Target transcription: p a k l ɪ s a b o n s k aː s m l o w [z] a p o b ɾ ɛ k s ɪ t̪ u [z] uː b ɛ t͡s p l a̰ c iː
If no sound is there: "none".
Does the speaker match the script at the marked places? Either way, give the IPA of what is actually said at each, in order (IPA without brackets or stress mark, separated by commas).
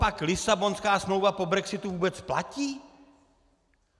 v, v